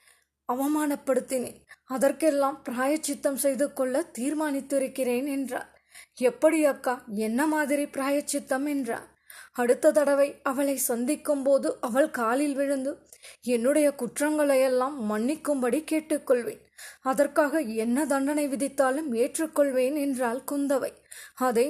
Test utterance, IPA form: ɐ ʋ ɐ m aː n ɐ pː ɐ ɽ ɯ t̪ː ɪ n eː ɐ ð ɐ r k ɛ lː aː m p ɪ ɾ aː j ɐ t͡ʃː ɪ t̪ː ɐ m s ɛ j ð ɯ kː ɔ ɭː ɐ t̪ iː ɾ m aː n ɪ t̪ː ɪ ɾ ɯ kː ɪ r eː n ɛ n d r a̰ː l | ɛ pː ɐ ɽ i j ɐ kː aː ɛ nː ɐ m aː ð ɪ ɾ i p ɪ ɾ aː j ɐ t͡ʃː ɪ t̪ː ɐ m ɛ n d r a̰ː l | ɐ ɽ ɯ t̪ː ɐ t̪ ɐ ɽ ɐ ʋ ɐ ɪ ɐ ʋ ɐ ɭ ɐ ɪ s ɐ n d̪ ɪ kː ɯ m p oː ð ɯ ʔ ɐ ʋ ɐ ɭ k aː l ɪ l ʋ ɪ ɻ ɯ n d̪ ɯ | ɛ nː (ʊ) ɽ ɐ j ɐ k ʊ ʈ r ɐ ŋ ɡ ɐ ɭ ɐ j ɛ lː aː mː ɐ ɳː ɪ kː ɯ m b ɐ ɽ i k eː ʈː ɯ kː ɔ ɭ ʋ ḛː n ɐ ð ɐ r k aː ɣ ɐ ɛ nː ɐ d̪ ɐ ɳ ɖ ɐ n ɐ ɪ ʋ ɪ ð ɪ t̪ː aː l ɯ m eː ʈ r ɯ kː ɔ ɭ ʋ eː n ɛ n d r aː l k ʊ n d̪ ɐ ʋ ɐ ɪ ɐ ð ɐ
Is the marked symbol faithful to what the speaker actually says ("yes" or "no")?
no